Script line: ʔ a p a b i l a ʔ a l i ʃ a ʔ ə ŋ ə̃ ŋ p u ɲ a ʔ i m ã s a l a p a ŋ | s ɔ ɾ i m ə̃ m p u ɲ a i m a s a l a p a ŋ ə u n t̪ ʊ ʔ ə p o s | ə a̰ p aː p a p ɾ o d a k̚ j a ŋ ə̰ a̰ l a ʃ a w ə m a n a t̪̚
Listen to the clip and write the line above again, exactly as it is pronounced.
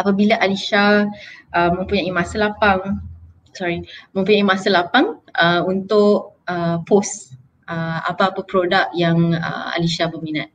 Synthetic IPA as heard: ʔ a p a b i l a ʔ a l i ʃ a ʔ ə m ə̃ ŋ p u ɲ a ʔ i m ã s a l a p a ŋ | s ɔ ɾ i m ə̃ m p u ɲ a i m a s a l a p a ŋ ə u n t̪ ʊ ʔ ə p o s | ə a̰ p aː p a p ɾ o d a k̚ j a ŋ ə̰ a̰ l i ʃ a b ə m i n a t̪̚